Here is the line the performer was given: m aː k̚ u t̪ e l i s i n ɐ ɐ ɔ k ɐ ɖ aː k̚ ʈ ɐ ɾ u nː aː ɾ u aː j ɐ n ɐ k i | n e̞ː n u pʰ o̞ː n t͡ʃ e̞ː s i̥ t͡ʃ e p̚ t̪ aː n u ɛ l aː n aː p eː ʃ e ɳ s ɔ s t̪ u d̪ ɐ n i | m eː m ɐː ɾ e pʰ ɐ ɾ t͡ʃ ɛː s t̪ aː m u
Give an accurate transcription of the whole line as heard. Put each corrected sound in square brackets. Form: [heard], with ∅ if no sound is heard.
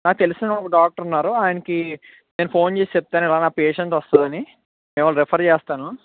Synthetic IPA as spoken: [n] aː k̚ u t̪ e l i s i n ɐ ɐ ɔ k ɐ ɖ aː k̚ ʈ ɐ ɾ u nː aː ɾ u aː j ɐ n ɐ k i | n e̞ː n u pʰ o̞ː n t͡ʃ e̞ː s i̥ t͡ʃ e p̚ t̪ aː n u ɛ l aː n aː p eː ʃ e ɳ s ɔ s t̪ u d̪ ɐ n i | m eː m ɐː ɾ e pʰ ɐ ɾ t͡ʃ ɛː s t̪ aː [n] u